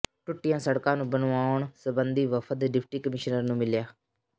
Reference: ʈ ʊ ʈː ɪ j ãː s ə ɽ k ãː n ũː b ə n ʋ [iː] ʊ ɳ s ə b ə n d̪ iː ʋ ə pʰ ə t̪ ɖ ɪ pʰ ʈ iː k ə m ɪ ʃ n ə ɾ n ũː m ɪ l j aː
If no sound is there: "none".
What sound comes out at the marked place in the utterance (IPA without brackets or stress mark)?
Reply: aː